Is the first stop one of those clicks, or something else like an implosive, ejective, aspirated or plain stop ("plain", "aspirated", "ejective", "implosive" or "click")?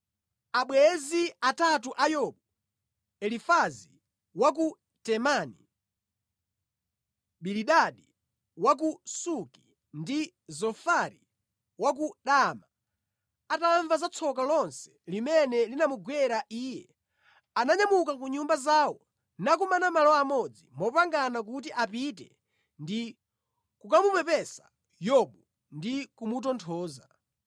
implosive